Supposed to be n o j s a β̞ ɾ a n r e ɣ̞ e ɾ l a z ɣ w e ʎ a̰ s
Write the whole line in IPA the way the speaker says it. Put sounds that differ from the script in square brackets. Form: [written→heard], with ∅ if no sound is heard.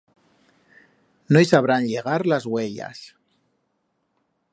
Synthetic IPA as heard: n o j s a β̞ ɾ a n [r→ʎ] e ɣ̞ [e→a] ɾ l a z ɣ w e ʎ a̰ s